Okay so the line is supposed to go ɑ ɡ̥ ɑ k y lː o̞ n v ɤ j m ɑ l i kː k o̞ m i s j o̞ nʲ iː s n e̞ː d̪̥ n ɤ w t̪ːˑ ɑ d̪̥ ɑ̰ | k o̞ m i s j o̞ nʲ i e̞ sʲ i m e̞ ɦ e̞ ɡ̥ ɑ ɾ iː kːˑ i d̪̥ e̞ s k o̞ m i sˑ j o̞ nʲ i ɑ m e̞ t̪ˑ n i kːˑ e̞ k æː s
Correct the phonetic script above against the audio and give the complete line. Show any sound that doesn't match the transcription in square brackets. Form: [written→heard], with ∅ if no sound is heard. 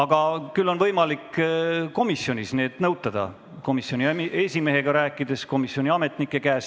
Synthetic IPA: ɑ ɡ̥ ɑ k y lː o̞ n v ɤ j m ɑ l i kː k o̞ m i s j o̞ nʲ [iː→i] s n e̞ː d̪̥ n ɤ w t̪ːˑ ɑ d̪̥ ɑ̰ | k o̞ m i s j o̞ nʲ i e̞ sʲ i m e̞ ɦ e̞ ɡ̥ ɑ ɾ [iː→æː] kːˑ i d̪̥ e̞ s k o̞ m i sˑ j o̞ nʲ i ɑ m e̞ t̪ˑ n i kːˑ e̞ k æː s